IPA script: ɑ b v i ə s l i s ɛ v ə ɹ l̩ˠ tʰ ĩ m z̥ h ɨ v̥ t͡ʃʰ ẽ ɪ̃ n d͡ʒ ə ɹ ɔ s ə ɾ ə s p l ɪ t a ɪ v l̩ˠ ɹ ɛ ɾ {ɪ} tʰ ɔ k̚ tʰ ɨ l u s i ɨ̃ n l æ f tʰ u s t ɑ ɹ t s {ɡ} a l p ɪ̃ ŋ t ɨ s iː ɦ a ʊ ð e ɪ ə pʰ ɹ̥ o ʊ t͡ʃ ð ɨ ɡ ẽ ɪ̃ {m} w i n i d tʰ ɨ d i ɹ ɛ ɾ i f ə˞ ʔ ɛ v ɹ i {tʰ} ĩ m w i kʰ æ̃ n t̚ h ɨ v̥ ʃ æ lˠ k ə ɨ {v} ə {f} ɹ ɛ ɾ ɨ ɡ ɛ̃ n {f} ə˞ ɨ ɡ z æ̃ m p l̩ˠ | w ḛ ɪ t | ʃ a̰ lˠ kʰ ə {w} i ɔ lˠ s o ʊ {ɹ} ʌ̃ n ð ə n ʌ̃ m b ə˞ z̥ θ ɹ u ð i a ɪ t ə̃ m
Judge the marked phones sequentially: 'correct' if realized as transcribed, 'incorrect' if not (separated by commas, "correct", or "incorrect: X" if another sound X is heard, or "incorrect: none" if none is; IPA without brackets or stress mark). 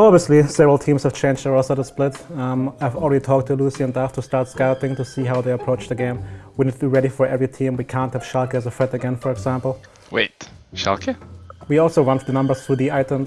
incorrect: i, incorrect: k, correct, correct, incorrect: z, correct, correct, correct, correct